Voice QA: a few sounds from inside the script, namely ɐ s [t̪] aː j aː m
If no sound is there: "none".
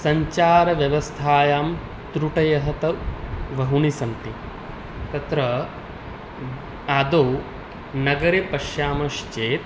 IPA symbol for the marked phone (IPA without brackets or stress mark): t̪ʰ